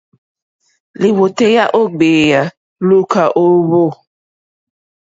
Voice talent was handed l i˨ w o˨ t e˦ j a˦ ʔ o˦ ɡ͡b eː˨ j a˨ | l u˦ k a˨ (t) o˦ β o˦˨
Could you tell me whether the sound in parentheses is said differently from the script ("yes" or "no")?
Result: yes